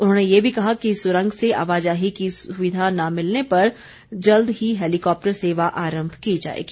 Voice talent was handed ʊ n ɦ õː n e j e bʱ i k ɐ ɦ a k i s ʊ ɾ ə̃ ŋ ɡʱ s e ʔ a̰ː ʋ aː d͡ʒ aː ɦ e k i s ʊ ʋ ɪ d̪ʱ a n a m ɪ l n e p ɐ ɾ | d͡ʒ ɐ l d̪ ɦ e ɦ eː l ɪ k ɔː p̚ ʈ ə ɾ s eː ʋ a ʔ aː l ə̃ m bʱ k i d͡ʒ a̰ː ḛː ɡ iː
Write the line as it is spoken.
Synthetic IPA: ʊ n ɦ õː n e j e bʱ i k ɐ ɦ a k i s ʊ ɾ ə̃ ŋ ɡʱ s e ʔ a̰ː ʋ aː d͡ʒ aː ɦ i k i s ʊ ʋ ɪ d̪ʱ a n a m ɪ l n e p ɐ ɾ | d͡ʒ ɐ l d̪ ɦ i ɦ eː l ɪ k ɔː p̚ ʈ ə ɾ s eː ʋ a ʔ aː ɾ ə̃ m bʱ k i d͡ʒ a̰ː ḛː ɡ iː

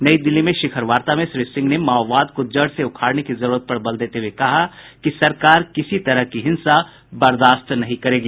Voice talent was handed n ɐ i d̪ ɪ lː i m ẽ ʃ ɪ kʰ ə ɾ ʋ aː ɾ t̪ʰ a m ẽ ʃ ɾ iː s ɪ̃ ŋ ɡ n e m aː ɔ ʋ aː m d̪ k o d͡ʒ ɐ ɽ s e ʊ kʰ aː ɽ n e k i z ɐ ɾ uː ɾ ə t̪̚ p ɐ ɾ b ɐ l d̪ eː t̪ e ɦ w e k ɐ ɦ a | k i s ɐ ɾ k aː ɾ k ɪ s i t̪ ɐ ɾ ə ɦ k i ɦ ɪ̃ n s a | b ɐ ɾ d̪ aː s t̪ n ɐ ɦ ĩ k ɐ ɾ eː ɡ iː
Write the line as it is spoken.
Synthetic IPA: n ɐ i d̪ ɪ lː i m ẽ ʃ ɪ kʰ ə ɾ ʋ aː ɾ t̪ a m ẽ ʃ ɾ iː s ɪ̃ ŋ ɡ n e m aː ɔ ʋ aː d̪ k o d͡ʒ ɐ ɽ s e ʊ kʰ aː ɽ n e k i z ɐ ɾ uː ɾ ə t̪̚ p ɐ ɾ b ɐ l d̪ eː t̪ e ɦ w e k ɐ ɦ a | k i s ɐ ɾ k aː ɾ k ɪ s i t̪ ɐ ɾ ə ɦ k i ɦ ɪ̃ n s a | b ɐ ɾ d̪ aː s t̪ n ɐ ɦ ĩ k ɐ ɾ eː ɡ iː

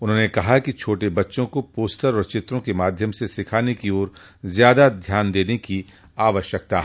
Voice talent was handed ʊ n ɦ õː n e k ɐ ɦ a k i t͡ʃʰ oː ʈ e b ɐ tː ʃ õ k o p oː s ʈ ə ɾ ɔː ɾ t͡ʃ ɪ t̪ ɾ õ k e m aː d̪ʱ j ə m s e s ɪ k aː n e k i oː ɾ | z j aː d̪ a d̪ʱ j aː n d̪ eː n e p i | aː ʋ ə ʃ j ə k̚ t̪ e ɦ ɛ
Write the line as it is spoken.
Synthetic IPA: ʊ n ɦ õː n e k ɐ ɦ a k i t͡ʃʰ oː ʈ e b ɐ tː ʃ õ k o p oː s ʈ ə ɾ ɔː ɾ t͡ʃ ɪ t̪ ɾ õ k e m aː d̪ʱ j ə m s e s ɪ kʰ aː n e k i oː ɾ | z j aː d̪ a d̪ʱ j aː n d̪ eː n e k i | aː ʋ ə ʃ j ə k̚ t̪ a ɦ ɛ

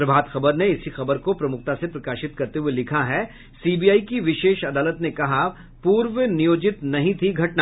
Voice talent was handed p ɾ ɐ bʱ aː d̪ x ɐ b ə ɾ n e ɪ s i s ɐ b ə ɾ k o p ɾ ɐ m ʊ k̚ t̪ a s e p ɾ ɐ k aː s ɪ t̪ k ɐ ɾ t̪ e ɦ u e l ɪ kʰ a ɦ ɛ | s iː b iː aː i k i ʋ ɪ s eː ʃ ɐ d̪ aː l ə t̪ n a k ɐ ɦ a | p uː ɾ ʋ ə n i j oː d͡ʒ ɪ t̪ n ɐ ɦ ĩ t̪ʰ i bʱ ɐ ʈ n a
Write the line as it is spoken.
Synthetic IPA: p ɾ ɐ bʱ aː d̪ x ɐ b ə ɾ n e ɪ s i x ɐ b ə ɾ k o p ɾ ɐ m ʊ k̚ t̪ a s e p ɾ ɐ k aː ʃ ɪ t̪ k ɐ ɾ t̪ e ɦ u e l ɪ kʰ a ɦ ɛ | s iː b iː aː i k i ʋ ɪ ʃ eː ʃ ɐ d̪ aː l ə t̪ n e k ɐ ɦ a | p uː ɾ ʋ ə n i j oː d͡ʒ ɪ t̪ n ɐ ɦ ĩ t̪ʰ i ɡʱ ɐ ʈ n a

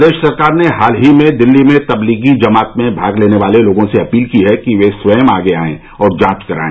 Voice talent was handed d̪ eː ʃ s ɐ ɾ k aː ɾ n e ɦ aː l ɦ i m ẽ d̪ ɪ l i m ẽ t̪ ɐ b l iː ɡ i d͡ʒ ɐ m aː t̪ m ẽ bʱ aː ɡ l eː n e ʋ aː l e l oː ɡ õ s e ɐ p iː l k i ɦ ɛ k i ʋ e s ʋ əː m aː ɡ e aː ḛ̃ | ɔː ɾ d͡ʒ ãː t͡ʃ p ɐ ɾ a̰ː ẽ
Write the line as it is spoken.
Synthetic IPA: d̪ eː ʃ s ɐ ɾ k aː ɾ n e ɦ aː l ɦ i m ẽ d̪ ɪ lː i m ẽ t̪ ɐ b l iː ɡ i d͡ʒ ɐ m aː t̪ m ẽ bʱ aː ɡ l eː n e ʋ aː l e l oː ɡ õ s e ɐ p iː l k i ɦ ɛ k i ʋ e s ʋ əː m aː ɡ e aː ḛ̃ | ɔː ɾ d͡ʒ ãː t͡ʃ k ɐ ɾ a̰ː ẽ

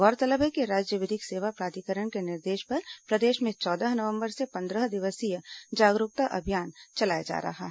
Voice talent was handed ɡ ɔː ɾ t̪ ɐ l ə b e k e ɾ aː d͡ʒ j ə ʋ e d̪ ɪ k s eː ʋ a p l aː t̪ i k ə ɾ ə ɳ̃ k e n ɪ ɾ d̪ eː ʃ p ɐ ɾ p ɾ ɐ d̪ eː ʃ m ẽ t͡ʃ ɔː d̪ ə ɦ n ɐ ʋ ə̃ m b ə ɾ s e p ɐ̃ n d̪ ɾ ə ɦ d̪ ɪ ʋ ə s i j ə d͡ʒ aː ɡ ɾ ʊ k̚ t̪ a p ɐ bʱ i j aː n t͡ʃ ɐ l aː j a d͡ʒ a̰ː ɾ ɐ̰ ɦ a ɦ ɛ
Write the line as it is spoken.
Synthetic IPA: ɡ ɔː ɾ t̪ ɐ l ə b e k e ɾ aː d͡ʒ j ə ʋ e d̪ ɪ k s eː ʋ a p ɾ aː t̪ i k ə ɾ ə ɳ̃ k e n ɪ ɾ d̪ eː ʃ p ɐ ɾ p ɾ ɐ d̪ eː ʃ m ẽ t͡ʃ ɔː d̪ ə ɦ n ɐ ʋ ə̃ m b ə ɾ s e p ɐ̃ n d̪ ɾ ə ɦ d̪ ɪ ʋ ə s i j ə d͡ʒ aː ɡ ɾ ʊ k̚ t̪ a ʔ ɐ bʱ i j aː n t͡ʃ ɐ l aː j a d͡ʒ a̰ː ɾ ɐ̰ ɦ a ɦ ɛ

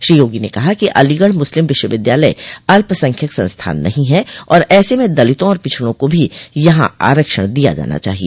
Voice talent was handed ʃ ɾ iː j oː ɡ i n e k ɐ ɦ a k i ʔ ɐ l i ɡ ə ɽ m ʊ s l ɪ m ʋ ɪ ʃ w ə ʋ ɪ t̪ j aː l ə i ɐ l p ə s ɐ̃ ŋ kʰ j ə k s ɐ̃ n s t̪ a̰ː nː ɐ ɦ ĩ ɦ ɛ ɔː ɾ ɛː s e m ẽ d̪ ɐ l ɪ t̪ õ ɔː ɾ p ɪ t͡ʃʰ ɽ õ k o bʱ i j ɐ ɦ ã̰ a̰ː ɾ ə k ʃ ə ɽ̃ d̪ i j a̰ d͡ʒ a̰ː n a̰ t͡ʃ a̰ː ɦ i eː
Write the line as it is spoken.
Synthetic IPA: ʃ ɾ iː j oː ɡ i n e k ɐ ɦ a k i ʔ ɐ l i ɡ ə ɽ m ʊ s l ɪ m ʋ ɪ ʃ w ə ʋ ɪ d̪ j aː l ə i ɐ l p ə s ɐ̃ ŋ kʰ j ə k s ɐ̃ n s t̪ʰ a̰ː nː ɐ ɦ ĩ ɦ ɛ ɔː ɾ ɛː s e m ẽ d̪ ɐ l ɪ t̪ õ ɔː ɾ p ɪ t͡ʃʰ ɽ õ k o bʱ i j ɐ ɦ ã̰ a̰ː ɾ ə k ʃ ə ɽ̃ d̪ i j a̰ d͡ʒ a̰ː n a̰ t͡ʃ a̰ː ɦ i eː

